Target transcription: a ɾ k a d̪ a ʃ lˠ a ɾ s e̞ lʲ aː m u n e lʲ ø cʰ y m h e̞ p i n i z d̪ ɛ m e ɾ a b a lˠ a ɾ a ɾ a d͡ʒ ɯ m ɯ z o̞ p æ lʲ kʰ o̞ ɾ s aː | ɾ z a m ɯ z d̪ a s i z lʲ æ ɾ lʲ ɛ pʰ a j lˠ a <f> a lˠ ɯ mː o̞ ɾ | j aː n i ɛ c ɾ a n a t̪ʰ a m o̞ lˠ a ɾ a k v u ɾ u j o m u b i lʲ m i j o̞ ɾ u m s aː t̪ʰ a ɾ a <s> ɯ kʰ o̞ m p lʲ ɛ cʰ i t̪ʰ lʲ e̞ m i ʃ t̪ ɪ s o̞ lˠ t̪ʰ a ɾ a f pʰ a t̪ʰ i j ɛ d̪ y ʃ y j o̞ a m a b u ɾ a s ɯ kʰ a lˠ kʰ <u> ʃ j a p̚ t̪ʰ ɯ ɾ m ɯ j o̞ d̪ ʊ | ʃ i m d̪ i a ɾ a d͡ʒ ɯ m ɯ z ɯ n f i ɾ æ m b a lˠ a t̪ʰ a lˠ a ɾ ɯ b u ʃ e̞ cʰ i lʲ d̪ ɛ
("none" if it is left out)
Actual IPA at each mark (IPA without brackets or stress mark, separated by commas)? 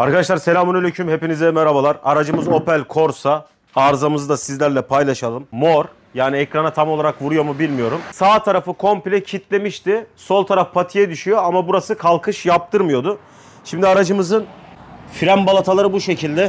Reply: ʃ, f, ɯ